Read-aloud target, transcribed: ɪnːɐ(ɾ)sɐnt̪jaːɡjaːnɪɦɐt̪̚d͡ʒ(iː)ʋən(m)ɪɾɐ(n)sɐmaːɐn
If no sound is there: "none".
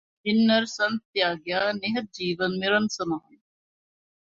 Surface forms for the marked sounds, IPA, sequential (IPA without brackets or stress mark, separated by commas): ɾ, iː, m, n